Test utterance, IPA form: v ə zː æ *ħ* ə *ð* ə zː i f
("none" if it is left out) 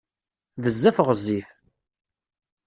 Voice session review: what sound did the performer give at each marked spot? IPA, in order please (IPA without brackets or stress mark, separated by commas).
f, ʁ